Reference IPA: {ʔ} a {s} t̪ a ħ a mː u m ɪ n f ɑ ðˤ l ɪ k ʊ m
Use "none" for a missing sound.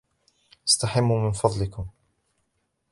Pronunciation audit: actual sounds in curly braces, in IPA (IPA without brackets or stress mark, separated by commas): ʔ, s